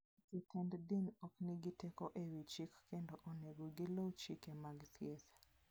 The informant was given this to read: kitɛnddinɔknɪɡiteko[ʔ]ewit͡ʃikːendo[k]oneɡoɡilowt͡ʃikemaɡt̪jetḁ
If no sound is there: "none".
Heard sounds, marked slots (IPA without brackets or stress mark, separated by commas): ʔ, ʔ